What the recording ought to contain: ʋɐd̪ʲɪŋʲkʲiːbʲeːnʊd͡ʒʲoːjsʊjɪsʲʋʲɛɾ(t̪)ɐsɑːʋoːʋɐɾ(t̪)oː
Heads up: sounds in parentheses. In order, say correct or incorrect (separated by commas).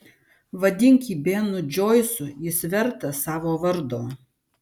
correct, incorrect